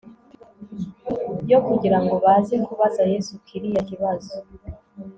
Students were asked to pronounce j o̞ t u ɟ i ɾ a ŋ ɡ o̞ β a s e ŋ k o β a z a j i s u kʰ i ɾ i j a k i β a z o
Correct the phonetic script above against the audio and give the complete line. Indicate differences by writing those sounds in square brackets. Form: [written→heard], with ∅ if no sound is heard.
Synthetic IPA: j o̞ [t→k] u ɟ i ɾ a ŋ ɡ o̞ β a [s→z] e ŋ k [o→u] β a z a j [i→e] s u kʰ i ɾ i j a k i β a z o